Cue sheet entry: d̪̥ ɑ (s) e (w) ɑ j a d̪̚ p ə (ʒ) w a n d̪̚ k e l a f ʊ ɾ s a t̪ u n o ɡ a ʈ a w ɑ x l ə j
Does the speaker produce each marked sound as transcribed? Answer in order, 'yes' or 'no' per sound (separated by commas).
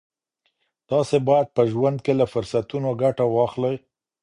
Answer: yes, no, yes